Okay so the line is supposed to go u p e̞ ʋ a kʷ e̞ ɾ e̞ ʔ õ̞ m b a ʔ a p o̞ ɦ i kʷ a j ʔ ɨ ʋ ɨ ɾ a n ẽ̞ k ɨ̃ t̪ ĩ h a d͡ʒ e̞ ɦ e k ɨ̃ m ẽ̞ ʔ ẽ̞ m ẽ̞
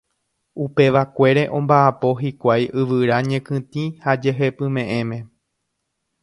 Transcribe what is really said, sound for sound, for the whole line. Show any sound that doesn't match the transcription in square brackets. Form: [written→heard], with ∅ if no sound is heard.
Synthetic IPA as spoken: u p e̞ ʋ a kʷ e̞ ɾ e̞ ʔ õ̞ m b a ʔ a p o̞ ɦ i kʷ a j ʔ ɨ ʋ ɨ ɾ a [n→ɲ] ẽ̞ k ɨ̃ t̪ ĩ h a d͡ʒ e̞ ɦ e [k→p] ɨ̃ m ẽ̞ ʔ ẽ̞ m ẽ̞